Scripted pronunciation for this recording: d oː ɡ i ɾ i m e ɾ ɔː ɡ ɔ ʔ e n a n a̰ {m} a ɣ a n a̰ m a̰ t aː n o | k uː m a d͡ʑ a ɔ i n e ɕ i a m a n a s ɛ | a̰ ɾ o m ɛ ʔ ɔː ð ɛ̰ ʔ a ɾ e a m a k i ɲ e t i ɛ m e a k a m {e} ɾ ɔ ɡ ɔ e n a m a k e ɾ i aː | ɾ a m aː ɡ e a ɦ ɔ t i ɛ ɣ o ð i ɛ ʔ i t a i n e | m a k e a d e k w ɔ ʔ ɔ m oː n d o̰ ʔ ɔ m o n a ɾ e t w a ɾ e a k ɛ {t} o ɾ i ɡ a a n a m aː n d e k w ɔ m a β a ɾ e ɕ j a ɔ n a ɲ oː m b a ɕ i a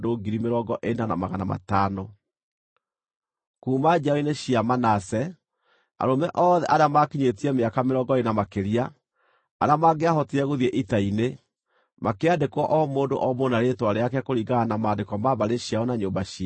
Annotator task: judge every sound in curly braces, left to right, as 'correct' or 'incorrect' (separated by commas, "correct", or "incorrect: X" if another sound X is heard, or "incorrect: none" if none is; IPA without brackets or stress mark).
correct, correct, incorrect: k